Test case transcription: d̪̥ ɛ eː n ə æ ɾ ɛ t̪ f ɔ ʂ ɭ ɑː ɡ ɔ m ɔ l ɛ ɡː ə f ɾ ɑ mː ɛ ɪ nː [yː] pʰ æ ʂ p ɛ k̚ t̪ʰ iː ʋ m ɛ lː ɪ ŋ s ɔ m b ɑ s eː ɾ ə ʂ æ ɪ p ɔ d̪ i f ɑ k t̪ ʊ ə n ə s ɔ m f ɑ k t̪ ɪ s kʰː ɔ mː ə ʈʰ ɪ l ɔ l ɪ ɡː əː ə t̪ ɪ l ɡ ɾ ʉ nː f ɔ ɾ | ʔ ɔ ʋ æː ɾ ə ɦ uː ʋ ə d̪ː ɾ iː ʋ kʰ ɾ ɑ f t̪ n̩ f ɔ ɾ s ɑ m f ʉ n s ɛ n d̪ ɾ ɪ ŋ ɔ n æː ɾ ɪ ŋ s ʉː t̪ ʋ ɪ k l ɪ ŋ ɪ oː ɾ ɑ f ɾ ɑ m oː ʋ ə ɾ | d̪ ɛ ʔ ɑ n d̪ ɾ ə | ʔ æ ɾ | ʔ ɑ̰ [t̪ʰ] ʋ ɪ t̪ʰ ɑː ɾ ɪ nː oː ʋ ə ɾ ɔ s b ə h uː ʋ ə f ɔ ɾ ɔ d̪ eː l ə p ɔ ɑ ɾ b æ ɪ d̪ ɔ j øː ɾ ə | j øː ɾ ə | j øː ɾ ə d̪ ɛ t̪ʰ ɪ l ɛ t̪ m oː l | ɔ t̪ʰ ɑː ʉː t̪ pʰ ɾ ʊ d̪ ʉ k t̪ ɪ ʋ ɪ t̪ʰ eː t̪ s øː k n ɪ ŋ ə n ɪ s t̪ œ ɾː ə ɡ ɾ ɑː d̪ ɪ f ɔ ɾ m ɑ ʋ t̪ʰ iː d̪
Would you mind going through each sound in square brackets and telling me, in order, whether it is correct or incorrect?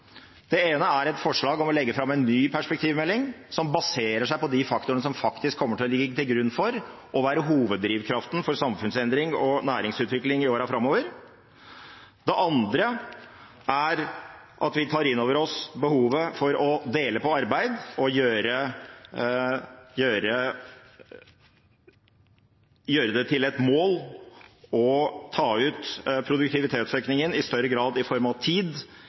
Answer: correct, incorrect: t̪

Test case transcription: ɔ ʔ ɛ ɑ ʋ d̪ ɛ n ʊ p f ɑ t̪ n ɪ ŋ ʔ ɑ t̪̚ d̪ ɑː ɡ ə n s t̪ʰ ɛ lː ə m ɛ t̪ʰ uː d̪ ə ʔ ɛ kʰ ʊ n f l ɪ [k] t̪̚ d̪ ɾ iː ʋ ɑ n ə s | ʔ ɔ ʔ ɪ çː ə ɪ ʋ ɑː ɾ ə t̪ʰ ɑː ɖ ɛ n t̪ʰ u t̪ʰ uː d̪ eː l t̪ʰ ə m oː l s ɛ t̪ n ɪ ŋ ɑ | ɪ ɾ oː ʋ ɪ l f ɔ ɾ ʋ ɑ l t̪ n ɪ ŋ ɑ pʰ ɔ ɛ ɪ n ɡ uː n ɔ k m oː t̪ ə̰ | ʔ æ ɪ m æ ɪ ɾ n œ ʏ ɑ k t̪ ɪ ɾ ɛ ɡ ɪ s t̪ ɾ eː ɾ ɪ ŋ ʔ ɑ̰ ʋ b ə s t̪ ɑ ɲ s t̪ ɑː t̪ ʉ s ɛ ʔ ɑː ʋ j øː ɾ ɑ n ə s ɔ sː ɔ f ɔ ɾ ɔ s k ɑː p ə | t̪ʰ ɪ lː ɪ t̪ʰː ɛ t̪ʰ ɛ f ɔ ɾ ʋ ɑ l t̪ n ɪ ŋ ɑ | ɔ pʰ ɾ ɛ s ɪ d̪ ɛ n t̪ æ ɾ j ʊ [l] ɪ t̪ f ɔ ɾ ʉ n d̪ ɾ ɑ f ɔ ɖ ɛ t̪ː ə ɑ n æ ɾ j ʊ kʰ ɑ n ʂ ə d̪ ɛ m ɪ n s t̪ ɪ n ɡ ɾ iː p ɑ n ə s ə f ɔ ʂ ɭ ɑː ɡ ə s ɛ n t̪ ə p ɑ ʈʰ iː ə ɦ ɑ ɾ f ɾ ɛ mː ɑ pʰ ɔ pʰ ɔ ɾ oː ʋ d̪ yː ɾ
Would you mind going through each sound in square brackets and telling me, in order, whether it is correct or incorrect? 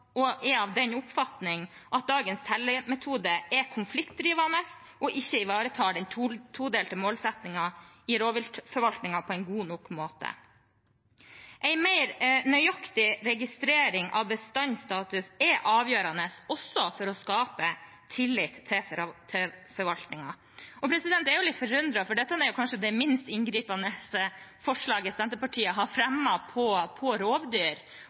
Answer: correct, correct

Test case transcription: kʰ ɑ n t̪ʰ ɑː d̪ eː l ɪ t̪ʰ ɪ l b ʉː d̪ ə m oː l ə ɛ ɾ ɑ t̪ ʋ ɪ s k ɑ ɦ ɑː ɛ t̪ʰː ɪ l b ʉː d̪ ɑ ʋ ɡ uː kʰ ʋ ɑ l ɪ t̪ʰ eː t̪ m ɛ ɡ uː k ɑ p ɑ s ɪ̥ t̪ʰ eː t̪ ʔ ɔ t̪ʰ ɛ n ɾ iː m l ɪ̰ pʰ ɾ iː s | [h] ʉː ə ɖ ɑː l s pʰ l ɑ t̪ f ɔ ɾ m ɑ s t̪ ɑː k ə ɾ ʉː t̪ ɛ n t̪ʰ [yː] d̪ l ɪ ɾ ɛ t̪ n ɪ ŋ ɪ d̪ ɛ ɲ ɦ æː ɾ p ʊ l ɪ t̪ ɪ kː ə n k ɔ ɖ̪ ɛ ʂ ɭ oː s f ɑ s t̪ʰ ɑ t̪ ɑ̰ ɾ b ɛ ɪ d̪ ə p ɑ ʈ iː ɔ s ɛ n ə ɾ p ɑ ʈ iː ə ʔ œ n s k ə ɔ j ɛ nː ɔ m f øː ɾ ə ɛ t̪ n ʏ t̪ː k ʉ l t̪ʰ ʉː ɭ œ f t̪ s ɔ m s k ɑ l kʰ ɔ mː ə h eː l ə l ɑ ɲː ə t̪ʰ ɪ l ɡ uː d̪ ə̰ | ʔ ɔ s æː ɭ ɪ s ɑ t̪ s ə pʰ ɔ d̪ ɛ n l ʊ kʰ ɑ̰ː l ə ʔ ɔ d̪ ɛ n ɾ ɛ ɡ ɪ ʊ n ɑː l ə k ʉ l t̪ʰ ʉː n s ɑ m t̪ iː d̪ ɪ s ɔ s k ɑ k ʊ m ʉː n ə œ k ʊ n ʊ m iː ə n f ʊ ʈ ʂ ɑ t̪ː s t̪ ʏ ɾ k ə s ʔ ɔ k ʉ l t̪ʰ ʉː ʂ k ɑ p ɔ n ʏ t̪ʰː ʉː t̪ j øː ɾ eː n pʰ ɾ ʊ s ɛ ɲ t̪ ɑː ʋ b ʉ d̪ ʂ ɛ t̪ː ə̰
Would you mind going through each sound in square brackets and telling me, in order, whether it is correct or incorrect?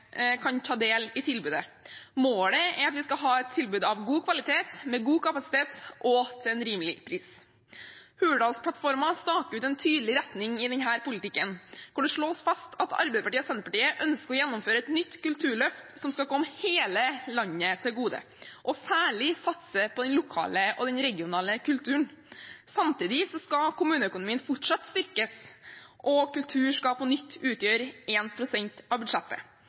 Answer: correct, correct

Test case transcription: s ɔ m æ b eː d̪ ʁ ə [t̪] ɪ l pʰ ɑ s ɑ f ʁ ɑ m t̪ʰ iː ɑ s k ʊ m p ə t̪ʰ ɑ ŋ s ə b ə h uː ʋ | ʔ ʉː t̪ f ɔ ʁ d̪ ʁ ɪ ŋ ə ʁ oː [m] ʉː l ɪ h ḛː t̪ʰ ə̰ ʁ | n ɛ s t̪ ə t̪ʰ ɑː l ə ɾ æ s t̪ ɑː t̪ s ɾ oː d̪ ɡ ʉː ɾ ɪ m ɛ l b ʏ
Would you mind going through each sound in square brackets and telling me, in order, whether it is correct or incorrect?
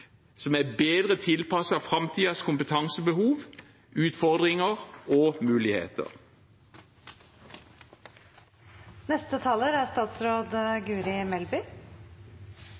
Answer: incorrect: t̪ʰ, correct

